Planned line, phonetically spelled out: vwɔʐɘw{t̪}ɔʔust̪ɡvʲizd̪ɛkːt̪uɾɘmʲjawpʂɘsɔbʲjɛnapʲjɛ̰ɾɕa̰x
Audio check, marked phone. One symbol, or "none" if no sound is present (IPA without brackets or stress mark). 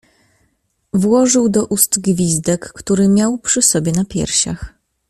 d̪